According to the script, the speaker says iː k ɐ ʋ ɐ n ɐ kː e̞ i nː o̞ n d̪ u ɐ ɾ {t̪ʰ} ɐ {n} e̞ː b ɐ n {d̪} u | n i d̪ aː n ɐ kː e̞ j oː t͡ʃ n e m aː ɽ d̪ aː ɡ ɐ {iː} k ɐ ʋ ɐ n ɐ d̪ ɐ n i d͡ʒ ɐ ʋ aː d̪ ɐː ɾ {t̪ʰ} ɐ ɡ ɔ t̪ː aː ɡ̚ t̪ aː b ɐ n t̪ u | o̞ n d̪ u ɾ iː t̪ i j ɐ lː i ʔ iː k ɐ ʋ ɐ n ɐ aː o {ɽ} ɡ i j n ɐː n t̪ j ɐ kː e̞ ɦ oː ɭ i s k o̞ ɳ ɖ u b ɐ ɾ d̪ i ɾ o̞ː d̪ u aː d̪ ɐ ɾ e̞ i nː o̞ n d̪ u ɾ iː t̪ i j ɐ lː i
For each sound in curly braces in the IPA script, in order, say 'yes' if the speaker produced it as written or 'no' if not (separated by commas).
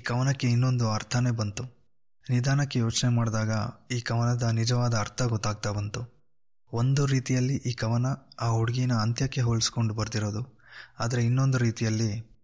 yes, yes, no, yes, yes, yes